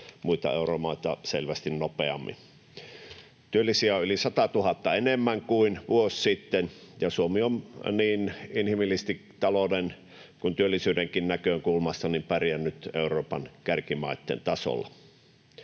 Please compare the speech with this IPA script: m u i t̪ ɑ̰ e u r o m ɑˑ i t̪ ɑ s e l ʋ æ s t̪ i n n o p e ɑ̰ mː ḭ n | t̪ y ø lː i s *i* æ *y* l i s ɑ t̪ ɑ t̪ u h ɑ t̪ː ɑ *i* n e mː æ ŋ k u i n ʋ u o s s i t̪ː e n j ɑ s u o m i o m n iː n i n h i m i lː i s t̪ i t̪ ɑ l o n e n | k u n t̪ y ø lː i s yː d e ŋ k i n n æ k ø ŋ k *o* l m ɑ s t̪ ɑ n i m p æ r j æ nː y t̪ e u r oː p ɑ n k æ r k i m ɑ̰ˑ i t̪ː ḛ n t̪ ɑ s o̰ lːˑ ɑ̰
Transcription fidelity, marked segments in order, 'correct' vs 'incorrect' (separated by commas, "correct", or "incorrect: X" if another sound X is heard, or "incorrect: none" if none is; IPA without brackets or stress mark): correct, correct, incorrect: e, incorrect: u